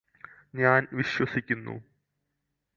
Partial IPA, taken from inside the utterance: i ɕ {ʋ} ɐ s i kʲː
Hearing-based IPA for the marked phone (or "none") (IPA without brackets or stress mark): w